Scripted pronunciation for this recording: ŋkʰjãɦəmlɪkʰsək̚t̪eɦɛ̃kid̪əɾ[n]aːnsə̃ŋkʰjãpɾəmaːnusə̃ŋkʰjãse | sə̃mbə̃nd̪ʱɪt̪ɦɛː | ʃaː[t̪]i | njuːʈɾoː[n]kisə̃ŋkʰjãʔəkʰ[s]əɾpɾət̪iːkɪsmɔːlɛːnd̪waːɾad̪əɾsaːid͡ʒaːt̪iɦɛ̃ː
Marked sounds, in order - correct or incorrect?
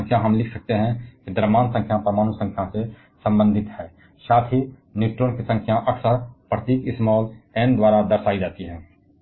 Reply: incorrect: m, incorrect: t̪ʰ, correct, correct

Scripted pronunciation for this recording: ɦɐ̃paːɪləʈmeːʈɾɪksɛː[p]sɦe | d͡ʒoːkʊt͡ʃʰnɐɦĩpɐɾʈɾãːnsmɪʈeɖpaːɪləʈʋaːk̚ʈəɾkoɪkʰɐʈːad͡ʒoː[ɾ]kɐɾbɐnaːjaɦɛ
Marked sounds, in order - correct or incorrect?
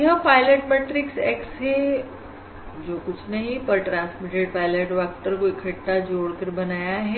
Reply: incorrect: k, incorrect: ɽ

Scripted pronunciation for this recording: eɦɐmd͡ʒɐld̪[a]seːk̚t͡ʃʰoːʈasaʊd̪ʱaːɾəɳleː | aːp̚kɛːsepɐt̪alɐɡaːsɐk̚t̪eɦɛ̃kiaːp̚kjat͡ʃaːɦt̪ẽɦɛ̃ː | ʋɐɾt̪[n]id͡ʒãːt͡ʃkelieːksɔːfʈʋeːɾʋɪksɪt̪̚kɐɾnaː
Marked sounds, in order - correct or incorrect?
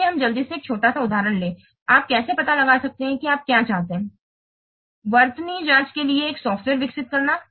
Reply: incorrect: i, correct

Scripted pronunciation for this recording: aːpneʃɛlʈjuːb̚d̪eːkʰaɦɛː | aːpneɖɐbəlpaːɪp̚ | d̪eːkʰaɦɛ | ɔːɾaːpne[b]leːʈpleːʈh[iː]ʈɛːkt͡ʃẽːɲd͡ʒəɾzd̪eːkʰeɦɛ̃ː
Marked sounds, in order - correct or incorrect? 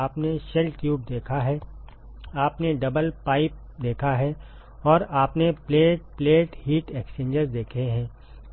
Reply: incorrect: p, correct

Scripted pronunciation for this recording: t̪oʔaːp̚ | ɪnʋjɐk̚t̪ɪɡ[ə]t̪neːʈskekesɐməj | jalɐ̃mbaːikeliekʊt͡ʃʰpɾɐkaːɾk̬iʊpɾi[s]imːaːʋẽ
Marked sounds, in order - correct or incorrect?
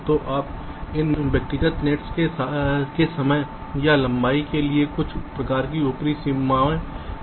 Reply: correct, correct

